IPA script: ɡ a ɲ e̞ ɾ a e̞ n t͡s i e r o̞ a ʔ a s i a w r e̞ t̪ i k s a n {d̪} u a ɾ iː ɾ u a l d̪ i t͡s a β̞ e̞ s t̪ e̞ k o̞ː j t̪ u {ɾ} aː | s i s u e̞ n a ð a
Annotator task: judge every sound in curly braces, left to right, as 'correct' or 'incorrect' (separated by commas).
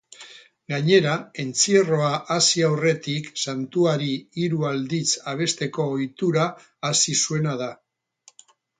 incorrect, correct